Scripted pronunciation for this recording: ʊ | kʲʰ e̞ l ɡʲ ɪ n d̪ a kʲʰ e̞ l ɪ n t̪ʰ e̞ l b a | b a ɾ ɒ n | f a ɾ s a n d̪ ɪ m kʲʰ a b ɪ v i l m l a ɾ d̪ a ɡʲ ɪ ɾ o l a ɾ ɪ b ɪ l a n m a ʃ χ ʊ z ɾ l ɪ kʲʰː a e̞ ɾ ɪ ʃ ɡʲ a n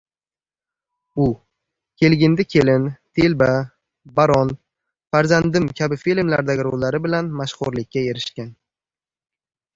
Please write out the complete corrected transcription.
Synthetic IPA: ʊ | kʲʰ e̞ l ɡʲ ɪ n d̪ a kʲʰ e̞ l ɪ n t̪ʰ e̞ l b a | b a ɾ ɒ n | f a ɾ z a n d̪ ɪ m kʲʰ a b ɪ f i l m l a ɾ d̪ a ɡʲ ɪ ɾ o l a ɾ ɪ b ɪ l a n m a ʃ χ ʊ ɾ l ɪ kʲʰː a e̞ ɾ ɪ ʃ kʲ a n